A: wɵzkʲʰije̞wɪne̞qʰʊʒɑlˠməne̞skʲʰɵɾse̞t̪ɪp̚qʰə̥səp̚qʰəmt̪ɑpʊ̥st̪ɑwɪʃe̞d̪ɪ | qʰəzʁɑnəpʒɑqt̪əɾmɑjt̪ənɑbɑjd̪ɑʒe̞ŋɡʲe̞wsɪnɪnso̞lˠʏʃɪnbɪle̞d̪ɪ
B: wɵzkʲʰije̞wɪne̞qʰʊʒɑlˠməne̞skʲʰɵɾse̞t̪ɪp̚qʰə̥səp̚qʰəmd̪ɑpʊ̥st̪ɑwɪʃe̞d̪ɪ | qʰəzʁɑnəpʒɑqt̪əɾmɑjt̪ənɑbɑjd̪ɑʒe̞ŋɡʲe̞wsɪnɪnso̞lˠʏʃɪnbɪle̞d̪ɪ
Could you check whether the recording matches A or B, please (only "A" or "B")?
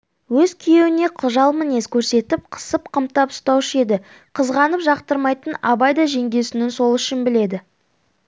A